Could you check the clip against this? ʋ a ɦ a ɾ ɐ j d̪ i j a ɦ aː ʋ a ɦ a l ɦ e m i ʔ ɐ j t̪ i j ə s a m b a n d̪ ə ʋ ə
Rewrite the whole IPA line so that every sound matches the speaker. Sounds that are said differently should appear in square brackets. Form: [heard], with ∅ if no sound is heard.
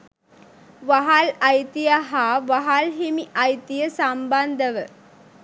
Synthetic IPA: ʋ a ɦ a [l] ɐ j [t̪] i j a ɦ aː ʋ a ɦ a l ɦ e m i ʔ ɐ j t̪ i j ə s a m b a n d̪ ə ʋ ə